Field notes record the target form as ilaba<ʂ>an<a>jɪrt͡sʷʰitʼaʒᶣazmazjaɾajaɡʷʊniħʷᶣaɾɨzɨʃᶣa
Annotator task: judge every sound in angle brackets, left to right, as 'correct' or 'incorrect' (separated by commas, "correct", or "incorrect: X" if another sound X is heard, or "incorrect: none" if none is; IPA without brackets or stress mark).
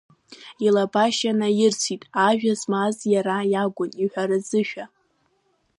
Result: incorrect: ʃ, correct